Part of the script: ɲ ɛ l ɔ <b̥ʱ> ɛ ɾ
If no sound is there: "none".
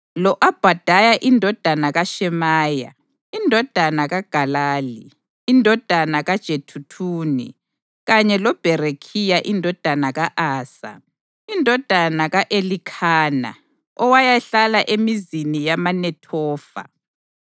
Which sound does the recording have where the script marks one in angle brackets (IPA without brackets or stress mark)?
b̥ʱ